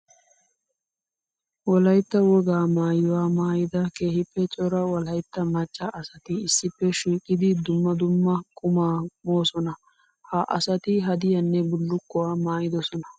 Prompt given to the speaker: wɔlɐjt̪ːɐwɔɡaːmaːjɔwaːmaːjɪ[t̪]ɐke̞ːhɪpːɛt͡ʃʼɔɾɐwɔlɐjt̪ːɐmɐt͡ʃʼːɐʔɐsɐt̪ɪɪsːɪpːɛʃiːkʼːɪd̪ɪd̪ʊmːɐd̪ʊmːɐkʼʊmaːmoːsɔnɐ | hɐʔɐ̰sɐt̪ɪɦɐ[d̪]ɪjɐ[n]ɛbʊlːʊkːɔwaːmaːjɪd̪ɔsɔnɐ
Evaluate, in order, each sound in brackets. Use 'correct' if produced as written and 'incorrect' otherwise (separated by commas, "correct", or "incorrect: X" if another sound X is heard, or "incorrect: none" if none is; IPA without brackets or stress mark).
incorrect: d̪, correct, incorrect: nː